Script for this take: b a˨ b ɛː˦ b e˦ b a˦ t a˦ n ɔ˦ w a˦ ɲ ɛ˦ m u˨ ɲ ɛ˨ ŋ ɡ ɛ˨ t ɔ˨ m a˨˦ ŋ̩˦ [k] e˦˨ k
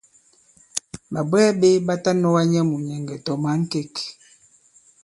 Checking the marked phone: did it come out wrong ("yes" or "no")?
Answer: no